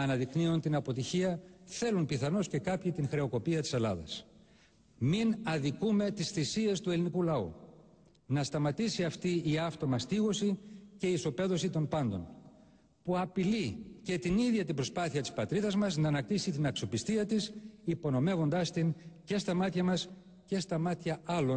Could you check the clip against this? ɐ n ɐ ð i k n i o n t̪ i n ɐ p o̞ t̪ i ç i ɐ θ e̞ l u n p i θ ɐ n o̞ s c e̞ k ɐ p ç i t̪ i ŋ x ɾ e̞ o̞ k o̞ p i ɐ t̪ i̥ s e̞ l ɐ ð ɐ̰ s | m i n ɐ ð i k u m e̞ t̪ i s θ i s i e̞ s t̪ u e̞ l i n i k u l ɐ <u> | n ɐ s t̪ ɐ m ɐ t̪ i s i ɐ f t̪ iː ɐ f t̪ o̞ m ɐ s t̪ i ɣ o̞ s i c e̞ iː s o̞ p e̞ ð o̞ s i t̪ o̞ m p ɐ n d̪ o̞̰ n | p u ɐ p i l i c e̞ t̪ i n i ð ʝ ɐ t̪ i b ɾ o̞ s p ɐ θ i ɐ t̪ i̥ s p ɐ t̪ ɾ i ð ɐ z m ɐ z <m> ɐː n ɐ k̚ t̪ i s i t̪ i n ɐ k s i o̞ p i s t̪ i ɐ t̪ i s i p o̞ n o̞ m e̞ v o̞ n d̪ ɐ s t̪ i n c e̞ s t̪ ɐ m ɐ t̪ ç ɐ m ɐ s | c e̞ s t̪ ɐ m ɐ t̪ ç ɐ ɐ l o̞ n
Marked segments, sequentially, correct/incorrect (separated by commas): correct, incorrect